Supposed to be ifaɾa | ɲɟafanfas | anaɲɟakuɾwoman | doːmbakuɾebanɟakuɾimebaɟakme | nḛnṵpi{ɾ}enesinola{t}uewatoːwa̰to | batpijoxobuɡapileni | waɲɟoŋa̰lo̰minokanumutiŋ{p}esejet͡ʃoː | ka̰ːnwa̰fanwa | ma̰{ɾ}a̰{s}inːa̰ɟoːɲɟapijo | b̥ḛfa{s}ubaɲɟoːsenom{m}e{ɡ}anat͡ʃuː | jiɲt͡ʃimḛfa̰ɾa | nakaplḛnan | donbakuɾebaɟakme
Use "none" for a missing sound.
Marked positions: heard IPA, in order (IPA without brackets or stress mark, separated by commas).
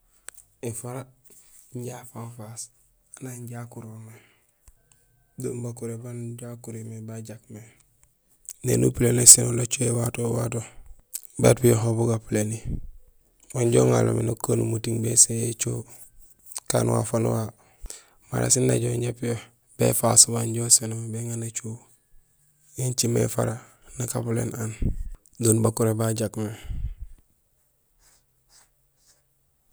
l, t͡ʃ, b, ɾ, s, s, b, ŋ